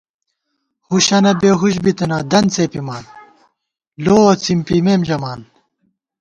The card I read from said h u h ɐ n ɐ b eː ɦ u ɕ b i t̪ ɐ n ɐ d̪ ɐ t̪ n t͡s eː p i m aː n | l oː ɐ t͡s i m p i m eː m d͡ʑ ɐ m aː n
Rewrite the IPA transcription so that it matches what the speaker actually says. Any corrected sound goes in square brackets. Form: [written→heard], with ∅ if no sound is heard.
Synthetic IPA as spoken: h u [h→ɕ] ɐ n ɐ b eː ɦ u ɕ b i t̪ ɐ n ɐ d̪ ɐ [t̪→∅] n t͡s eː p i m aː n | l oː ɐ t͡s i m p i m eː m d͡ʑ ɐ m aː n